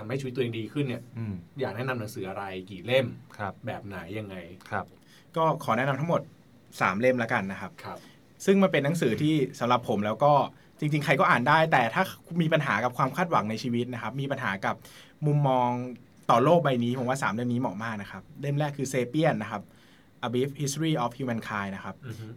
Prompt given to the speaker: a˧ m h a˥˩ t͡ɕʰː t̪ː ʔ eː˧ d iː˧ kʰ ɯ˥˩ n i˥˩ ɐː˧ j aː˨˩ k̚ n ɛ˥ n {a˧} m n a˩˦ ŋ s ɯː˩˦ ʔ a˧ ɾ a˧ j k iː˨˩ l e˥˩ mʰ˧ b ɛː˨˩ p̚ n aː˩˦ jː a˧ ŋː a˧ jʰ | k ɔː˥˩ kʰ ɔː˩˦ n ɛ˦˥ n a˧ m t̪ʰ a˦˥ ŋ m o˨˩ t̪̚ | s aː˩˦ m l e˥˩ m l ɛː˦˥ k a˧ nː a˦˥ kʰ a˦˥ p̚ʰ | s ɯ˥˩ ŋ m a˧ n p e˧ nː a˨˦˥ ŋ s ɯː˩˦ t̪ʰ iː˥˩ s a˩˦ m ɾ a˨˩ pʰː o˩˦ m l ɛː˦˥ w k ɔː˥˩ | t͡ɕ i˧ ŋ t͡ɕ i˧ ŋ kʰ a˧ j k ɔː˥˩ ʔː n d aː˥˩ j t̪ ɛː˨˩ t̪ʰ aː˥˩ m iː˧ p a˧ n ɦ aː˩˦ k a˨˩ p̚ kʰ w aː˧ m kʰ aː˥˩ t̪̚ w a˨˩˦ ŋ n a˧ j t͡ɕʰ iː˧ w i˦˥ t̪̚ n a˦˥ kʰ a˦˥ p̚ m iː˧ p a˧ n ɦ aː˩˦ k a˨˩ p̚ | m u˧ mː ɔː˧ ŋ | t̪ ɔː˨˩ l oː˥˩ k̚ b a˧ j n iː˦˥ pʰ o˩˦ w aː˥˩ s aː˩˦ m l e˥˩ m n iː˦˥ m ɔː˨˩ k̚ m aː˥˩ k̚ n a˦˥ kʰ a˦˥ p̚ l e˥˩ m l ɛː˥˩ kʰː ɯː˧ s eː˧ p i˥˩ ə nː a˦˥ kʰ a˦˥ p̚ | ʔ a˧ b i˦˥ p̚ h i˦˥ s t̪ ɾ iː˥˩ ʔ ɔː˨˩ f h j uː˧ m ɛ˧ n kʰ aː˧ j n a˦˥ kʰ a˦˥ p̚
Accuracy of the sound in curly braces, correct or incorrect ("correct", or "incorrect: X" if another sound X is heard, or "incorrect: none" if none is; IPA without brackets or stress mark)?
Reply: correct